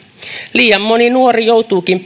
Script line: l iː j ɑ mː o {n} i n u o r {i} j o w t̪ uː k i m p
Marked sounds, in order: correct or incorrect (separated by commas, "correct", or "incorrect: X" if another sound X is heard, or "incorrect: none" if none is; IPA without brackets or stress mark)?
correct, correct